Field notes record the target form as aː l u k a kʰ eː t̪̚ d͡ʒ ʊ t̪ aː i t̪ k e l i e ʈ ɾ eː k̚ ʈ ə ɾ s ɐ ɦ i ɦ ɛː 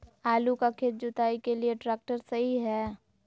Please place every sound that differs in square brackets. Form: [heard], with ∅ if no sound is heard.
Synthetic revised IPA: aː l u k a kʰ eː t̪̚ d͡ʒ ʊ t̪ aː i [∅] k e l i e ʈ ɾ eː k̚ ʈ ə ɾ s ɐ ɦ i ɦ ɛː